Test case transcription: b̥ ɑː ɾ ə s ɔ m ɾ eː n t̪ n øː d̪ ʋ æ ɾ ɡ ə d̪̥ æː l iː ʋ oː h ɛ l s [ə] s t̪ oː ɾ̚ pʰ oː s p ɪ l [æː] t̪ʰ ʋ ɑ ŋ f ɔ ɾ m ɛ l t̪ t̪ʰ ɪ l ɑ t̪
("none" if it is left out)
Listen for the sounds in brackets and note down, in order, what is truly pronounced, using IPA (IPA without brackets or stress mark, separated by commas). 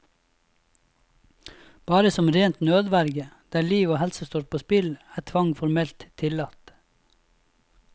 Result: ə, æː